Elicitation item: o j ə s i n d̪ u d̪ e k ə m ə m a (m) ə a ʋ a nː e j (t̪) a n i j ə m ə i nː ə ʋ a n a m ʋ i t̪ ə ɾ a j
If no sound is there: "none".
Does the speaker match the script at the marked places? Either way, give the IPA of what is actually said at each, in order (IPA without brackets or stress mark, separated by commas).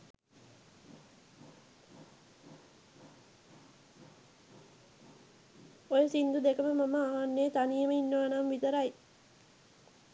m, t̪